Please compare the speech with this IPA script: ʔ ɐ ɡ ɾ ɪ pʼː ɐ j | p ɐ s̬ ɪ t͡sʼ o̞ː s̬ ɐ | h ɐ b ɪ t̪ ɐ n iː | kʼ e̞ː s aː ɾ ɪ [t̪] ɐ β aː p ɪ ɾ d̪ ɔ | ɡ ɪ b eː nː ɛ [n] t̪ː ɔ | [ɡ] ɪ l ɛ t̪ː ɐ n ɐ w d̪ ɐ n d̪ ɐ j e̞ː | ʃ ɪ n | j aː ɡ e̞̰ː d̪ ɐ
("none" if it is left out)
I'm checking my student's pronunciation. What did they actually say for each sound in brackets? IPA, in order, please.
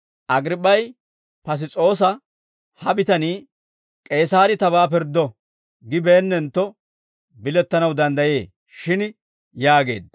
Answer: t̪, n, b

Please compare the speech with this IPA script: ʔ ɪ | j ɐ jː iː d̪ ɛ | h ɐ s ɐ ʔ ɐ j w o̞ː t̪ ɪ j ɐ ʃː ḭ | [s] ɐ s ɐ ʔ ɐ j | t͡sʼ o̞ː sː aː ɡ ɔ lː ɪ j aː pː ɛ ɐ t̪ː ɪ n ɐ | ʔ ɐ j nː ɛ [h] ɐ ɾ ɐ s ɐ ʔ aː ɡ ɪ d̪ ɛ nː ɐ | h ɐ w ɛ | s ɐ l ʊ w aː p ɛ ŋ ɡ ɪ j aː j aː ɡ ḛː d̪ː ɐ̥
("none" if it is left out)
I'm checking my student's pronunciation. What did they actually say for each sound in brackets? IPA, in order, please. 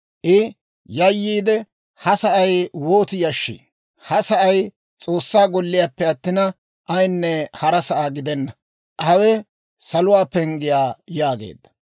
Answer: h, h

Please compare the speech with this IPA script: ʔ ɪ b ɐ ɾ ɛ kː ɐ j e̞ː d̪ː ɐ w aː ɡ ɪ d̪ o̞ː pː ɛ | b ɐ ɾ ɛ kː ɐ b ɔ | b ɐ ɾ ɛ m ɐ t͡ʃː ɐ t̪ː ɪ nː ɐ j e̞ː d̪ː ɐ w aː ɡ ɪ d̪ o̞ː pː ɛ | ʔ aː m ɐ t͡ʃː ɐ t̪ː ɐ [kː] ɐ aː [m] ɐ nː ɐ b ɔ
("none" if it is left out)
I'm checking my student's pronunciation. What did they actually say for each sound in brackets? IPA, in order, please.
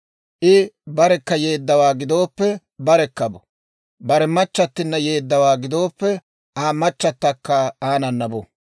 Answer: kː, n

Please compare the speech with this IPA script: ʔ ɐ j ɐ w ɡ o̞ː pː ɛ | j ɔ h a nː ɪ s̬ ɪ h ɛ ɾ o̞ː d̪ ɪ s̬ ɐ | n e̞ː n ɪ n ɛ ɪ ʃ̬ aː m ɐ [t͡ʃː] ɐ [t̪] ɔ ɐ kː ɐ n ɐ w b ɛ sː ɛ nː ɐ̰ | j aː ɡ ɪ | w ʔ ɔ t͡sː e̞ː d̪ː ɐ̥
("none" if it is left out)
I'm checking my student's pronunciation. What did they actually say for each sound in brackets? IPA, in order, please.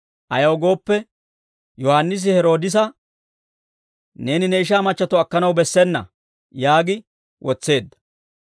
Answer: t͡ʃː, t̪

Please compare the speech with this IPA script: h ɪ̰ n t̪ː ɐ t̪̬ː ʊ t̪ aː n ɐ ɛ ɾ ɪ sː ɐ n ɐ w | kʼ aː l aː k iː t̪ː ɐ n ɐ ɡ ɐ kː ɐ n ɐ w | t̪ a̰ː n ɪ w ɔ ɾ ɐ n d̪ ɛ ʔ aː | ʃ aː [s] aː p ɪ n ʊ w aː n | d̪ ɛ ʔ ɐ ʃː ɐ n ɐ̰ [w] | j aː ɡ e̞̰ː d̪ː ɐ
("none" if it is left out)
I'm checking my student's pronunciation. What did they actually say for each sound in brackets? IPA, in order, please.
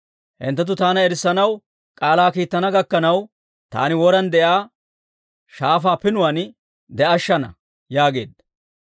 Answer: f, none

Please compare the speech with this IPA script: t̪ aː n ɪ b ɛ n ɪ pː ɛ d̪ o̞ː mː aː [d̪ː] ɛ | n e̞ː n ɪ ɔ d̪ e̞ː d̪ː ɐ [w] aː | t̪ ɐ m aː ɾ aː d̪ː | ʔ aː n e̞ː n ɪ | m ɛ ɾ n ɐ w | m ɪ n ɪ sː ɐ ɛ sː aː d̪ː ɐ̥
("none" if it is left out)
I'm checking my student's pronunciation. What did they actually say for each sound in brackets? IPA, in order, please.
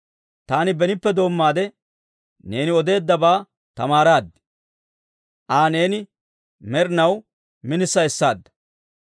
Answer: d̪, b

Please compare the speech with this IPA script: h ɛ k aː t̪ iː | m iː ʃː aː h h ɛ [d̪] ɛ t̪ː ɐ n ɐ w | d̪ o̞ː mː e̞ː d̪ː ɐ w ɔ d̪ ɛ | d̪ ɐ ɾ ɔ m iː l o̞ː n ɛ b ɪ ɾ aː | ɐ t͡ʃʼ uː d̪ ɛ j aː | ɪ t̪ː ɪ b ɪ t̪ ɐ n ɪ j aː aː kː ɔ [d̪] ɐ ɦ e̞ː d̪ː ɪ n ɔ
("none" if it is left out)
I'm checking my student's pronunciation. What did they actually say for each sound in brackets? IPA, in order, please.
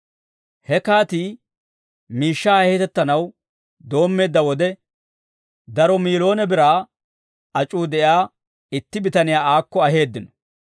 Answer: t̪, none

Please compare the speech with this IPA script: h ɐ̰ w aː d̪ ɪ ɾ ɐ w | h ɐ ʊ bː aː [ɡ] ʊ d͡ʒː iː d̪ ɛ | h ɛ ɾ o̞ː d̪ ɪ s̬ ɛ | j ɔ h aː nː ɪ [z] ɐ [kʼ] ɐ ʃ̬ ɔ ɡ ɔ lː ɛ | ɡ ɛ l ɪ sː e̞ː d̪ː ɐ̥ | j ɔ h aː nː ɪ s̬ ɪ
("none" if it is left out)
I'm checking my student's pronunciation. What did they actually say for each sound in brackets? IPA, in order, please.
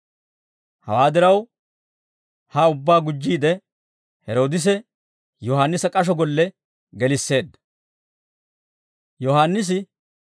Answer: ɡ, s, kʼ

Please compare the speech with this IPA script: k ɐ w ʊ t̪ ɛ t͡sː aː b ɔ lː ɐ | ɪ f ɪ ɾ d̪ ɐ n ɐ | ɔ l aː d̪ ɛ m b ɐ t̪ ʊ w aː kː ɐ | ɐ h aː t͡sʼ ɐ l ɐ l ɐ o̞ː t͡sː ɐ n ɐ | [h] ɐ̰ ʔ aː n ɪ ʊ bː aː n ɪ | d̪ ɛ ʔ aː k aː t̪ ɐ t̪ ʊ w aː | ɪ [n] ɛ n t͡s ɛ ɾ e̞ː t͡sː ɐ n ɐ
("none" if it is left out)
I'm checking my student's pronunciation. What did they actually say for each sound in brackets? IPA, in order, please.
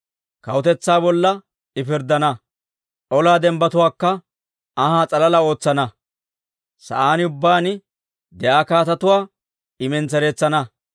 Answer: s, m

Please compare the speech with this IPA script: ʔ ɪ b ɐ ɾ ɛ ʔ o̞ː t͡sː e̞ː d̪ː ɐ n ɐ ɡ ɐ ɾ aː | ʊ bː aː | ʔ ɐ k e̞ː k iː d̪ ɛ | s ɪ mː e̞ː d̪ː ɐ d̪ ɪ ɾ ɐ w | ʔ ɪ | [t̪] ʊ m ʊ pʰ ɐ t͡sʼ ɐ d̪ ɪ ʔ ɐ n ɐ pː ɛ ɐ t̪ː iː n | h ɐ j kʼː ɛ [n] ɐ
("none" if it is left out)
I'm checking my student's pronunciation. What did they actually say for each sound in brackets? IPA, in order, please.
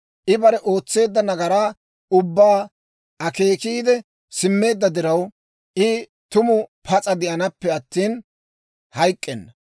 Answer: t̪, nː

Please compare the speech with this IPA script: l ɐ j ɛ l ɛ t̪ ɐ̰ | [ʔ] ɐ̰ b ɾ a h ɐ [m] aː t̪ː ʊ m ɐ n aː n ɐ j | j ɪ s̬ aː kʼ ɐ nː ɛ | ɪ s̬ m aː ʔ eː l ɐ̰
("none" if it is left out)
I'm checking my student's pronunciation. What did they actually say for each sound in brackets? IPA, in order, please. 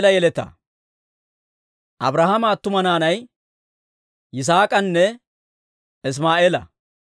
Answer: ʔ, m

